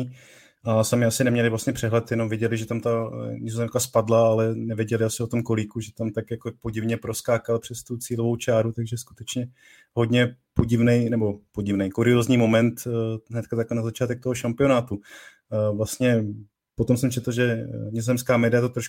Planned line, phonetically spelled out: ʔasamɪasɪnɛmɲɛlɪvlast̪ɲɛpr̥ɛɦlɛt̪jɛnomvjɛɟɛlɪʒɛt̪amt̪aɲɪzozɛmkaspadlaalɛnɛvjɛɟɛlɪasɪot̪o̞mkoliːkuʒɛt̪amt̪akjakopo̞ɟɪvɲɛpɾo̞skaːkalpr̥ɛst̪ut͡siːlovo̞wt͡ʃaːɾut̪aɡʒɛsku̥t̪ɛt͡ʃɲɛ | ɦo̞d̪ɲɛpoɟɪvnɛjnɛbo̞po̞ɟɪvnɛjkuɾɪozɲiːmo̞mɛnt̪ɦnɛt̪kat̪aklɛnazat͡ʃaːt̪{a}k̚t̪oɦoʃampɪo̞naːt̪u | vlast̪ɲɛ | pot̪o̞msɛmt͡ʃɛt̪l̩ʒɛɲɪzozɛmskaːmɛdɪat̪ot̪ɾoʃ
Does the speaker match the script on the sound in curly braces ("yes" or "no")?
no